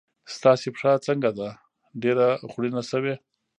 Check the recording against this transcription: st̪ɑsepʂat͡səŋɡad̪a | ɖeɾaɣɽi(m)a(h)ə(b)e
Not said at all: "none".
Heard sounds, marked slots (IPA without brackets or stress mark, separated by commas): n, s, w